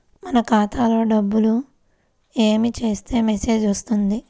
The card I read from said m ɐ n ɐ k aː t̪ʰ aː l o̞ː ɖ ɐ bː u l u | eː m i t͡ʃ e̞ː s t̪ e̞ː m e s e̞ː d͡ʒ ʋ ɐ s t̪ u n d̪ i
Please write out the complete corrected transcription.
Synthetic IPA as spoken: m ɐ n ɐ k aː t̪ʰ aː l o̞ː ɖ ɐ bː u l u | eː m i t͡ʃ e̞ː s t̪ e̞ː m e s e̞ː d͡ʒ ʋ ɐ s t̪ u n d̪ i